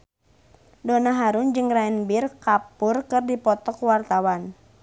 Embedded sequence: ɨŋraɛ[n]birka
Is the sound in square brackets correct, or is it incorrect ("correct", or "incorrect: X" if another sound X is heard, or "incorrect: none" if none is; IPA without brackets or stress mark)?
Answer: correct